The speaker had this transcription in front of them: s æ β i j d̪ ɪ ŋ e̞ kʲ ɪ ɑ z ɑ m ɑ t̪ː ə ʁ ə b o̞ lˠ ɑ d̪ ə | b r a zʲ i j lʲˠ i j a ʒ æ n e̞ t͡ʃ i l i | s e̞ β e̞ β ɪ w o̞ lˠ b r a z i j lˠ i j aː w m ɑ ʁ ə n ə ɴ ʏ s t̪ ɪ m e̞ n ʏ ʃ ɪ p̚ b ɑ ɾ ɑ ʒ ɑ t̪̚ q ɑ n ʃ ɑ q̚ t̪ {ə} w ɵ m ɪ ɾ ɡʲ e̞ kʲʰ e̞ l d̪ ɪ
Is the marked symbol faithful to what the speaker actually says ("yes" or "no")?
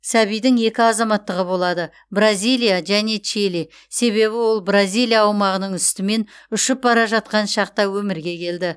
no